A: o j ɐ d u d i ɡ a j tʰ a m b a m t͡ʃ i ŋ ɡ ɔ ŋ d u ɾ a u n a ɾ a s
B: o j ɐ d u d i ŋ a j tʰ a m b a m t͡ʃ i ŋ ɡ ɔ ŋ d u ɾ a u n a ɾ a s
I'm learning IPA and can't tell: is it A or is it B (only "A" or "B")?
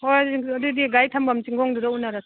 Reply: A